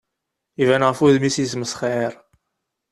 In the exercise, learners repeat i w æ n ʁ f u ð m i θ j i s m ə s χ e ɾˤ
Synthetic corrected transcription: i v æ n ʁ f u ð m i s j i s m ə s χ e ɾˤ